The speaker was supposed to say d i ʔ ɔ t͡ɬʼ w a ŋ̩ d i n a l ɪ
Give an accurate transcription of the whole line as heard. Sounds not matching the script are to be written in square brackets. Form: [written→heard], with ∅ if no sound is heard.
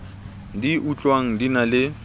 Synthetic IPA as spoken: d i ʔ [ɔ→u] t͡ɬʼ w a ŋ̩ d i n a l ɪ